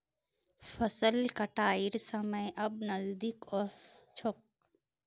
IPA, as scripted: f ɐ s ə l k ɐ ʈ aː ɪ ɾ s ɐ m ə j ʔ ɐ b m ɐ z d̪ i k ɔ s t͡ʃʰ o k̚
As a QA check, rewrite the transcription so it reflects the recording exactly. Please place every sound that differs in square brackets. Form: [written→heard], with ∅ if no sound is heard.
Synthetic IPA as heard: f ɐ s ə l k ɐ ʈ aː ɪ ɾ s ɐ m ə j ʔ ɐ b [m→n] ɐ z d̪ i k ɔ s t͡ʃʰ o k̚

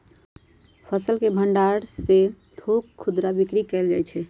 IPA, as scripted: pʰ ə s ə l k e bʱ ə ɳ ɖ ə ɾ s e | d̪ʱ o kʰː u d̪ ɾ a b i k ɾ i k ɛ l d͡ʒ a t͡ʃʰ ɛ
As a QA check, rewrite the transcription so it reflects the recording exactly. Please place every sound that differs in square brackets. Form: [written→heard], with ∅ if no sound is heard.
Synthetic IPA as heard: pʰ ə s ə l k e bʱ ə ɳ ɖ [ə→a] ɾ s e | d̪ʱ o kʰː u d̪ ɾ a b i k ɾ i k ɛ l d͡ʒ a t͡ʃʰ ɛ

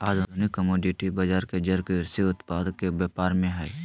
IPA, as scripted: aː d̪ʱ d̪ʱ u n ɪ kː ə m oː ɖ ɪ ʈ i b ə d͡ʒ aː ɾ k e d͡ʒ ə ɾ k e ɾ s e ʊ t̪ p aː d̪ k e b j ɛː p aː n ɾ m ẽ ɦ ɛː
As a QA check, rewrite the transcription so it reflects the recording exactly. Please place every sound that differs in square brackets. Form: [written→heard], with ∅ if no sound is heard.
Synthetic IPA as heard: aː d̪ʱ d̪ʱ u n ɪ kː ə m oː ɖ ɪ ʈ i b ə d͡ʒ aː ɾ k e d͡ʒ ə ɾ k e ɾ s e ʊ t̪ p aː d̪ k e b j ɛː p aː [n→∅] ɾ m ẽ ɦ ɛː

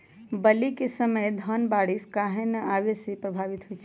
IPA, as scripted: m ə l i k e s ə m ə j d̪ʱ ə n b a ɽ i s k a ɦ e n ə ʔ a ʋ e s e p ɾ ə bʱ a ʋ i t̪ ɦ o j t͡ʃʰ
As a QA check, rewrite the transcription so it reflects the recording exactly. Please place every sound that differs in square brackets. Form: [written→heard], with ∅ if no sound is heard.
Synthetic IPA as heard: [m→b] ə l i k e s ə m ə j d̪ʱ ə n b a ɽ i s k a ɦ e n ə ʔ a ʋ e s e p ɾ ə bʱ a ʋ i t̪ ɦ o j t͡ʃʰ

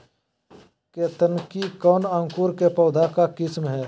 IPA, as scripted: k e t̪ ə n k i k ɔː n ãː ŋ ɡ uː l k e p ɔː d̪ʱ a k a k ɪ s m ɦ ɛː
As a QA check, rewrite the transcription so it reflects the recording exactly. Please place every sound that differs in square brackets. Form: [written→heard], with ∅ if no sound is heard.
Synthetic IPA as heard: k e t̪ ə n k i k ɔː n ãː ŋ [ɡ→k] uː [l→ɾ] k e p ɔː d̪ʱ a k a k ɪ s m ɦ ɛː

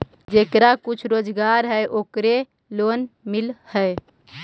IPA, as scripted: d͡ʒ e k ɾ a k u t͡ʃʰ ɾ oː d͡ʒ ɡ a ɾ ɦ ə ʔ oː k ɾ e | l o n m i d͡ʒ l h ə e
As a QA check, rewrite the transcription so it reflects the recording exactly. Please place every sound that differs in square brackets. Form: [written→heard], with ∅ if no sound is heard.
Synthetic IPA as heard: d͡ʒ e k ɾ a k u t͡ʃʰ ɾ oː d͡ʒ ɡ a ɾ ɦ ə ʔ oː k ɾ e | l o n m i [d͡ʒ→∅] l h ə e

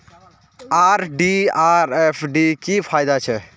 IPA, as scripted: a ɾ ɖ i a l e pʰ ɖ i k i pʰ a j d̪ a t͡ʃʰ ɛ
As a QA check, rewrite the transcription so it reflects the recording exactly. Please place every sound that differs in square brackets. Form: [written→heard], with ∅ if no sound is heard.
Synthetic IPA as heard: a ɾ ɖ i a [l→ɾ] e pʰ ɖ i k i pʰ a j d̪ a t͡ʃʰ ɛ

